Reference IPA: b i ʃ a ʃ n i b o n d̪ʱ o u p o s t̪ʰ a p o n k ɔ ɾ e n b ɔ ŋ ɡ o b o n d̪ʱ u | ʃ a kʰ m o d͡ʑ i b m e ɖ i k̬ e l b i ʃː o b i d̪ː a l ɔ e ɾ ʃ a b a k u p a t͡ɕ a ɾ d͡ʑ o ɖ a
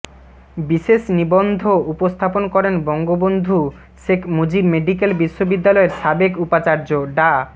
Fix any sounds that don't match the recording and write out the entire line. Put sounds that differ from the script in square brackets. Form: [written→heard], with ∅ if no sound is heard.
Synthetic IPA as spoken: b i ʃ [a→e] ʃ n i b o n d̪ʱ o u p o s t̪ʰ a p o n k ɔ ɾ e n b ɔ ŋ ɡ o b o n d̪ʱ u | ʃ [a→e] kʰ m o d͡ʑ i b m e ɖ i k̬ e l b i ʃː o b i d̪ː a l ɔ e ɾ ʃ a b [a→e] k u p a t͡ɕ a ɾ d͡ʑ o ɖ a